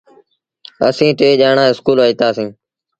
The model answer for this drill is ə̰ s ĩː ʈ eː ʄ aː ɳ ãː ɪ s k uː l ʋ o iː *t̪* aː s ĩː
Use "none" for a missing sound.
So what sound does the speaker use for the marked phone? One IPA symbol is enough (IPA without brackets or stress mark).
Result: t̪